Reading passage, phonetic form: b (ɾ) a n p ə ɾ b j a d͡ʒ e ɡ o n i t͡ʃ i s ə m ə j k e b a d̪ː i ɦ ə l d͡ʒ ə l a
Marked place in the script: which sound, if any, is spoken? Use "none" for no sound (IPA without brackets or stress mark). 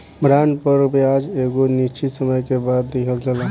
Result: ɾ